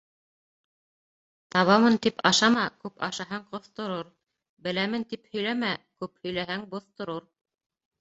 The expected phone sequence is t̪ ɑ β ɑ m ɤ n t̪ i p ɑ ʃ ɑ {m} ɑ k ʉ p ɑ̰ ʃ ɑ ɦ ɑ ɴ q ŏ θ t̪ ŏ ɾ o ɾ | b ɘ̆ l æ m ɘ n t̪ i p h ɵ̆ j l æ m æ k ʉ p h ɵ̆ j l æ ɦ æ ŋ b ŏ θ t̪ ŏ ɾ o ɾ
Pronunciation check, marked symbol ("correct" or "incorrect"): correct